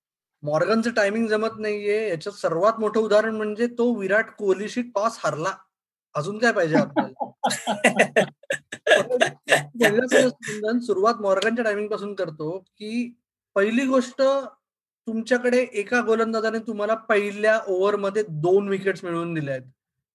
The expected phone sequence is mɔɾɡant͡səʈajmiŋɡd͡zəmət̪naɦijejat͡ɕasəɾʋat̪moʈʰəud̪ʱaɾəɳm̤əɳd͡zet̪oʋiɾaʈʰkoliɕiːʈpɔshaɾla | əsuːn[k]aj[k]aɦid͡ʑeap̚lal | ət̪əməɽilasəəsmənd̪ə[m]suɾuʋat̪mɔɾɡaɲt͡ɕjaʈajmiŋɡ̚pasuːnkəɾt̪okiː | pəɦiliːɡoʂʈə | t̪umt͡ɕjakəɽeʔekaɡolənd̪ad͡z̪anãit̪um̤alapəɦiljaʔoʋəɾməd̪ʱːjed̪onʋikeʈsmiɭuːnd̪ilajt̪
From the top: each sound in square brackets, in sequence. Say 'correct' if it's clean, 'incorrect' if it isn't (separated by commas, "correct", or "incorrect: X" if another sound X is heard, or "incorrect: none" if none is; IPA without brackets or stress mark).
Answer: correct, incorrect: p, incorrect: n